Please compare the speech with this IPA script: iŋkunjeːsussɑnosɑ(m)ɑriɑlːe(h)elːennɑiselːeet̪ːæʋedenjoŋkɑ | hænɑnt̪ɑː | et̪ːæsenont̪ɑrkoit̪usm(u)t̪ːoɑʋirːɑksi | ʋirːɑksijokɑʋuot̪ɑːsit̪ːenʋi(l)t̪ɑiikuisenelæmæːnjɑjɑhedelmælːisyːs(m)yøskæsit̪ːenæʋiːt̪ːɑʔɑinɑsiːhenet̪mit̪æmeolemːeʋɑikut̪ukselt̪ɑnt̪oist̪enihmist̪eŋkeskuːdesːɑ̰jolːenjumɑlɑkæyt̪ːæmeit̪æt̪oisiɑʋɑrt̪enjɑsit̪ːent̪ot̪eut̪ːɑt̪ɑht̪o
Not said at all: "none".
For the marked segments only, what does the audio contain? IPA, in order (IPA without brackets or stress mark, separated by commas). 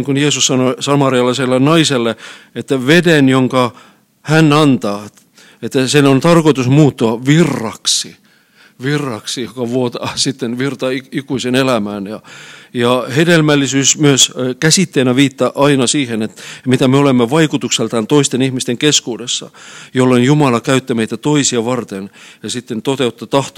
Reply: m, s, uː, r, m